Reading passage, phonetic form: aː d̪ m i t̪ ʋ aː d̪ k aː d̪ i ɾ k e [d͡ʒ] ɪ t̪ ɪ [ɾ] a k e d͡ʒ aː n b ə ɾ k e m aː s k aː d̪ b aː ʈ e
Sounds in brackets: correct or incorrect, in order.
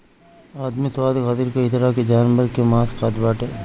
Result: incorrect: none, correct

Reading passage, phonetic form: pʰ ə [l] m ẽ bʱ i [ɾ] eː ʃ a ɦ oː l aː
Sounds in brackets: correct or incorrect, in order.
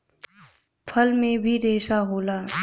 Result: correct, correct

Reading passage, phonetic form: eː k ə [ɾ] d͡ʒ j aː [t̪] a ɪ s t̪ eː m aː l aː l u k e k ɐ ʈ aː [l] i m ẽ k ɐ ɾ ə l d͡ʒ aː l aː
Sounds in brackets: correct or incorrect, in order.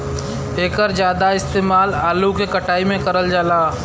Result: correct, incorrect: d̪, incorrect: none

